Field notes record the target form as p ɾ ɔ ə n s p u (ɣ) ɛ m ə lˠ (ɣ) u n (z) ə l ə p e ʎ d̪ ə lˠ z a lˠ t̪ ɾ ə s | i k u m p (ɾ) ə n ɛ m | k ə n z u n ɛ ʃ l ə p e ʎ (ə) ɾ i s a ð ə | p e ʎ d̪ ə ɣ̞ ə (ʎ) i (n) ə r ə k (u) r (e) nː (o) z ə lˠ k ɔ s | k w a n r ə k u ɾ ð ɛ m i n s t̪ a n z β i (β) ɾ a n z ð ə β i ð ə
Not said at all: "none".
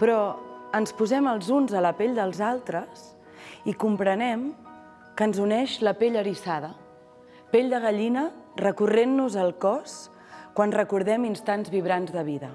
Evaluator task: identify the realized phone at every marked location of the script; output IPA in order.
z, z, z, ɾ, ə, ʎ, n, u, e, u, β

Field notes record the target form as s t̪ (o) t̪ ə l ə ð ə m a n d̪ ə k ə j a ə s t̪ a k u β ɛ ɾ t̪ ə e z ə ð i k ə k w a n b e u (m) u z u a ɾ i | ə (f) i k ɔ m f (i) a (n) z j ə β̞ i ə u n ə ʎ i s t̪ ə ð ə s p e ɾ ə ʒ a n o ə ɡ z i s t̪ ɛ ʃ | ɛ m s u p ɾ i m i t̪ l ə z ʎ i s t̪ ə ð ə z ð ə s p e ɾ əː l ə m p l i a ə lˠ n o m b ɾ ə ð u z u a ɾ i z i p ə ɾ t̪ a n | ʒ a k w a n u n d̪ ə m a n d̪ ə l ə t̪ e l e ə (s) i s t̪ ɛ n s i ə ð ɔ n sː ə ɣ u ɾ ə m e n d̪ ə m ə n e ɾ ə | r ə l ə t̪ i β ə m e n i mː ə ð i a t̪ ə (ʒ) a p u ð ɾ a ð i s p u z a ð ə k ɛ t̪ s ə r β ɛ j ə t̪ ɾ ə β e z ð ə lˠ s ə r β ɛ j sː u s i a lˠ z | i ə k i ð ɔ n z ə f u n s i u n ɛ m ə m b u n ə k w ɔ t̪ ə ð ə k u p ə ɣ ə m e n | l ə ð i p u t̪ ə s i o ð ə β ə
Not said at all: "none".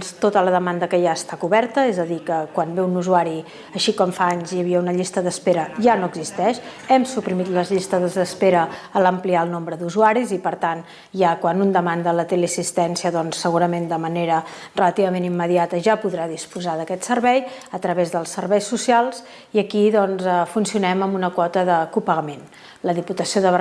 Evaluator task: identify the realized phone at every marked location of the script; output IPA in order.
o, n, ʃ, a, ɲ, s, ʒ

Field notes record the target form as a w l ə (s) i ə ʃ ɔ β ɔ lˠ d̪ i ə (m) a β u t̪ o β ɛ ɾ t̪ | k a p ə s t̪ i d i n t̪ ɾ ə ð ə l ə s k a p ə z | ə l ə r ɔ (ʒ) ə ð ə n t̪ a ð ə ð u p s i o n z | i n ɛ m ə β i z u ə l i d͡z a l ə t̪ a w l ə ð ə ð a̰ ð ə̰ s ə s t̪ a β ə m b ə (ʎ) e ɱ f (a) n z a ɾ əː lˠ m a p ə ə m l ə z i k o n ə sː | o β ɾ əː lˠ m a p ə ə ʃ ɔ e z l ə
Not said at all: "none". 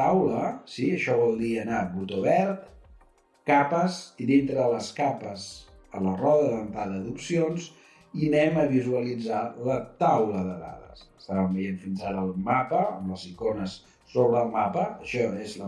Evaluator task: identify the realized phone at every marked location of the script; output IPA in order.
s, n, ð, j, i

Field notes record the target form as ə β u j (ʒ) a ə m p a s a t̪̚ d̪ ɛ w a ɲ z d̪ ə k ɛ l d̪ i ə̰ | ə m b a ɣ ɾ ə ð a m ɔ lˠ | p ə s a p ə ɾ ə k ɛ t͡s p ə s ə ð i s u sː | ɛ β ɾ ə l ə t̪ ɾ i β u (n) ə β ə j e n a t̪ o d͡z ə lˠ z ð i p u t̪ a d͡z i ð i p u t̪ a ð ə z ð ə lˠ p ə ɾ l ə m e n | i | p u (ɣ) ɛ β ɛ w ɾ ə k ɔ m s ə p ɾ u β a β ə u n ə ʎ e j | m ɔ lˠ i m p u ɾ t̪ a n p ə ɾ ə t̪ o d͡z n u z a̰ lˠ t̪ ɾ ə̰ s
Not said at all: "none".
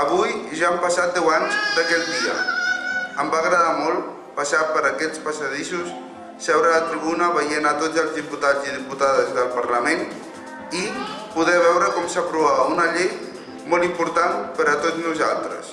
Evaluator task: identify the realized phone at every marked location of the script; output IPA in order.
ʒ, n, ð

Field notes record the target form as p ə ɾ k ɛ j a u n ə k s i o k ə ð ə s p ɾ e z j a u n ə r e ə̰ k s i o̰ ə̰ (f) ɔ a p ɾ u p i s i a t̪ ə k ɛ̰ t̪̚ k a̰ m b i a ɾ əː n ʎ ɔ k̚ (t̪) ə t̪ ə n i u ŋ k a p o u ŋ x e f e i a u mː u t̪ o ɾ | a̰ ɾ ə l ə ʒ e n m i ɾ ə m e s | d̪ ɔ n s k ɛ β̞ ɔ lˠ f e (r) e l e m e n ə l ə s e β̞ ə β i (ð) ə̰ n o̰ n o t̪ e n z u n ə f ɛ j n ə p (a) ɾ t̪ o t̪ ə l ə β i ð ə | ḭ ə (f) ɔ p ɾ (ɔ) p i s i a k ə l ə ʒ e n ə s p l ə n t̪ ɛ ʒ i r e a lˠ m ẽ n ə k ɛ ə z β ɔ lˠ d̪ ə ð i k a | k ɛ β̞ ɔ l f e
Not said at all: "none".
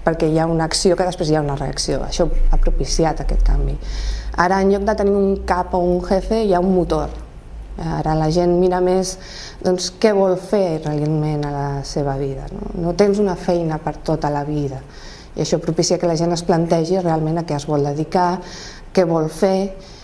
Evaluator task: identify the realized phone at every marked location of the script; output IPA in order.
ʃ, d̪, r, ð, ə, ʃ, u

